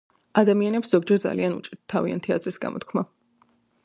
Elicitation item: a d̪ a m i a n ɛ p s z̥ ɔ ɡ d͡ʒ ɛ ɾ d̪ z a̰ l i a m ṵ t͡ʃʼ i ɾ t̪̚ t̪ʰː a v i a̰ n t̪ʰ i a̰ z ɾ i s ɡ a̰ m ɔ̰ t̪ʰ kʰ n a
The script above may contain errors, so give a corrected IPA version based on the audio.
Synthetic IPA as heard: a d̪ a m i a n ɛ p s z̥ ɔ ɡ d͡ʒ ɛ ɾ d̪ z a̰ l i a n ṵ t͡ʃʼ i ɾ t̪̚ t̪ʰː a v i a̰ n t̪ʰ i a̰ z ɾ i s ɡ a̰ m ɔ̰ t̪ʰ kʰ m a